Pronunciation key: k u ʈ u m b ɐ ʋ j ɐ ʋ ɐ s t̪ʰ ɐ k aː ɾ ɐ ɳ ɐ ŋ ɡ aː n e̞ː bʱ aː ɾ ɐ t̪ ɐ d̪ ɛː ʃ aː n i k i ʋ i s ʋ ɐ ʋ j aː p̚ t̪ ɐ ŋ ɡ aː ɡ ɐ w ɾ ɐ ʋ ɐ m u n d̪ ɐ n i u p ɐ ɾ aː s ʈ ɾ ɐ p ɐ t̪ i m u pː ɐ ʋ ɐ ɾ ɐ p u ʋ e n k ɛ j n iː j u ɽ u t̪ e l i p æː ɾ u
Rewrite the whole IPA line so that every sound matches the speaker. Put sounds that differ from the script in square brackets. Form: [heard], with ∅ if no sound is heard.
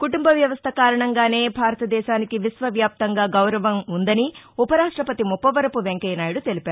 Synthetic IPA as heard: k u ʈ u m b ɐ ʋ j ɐ ʋ ɐ s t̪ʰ ɐ k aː ɾ ɐ ɳ ɐ ŋ ɡ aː n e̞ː bʱ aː ɾ ɐ t̪ ɐ d̪ ɛː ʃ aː n i k i ʋ i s ʋ ɐ ʋ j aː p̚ t̪ ɐ ŋ ɡ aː ɡ ɐ w ɾ ɐ ʋ ɐ m u n d̪ ɐ n i u p ɐ ɾ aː [ʂ] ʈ ɾ ɐ p ɐ t̪ i m u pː ɐ ʋ ɐ ɾ ɐ p u ʋ e [ŋ] k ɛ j n [aː] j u ɽ u t̪ e l i p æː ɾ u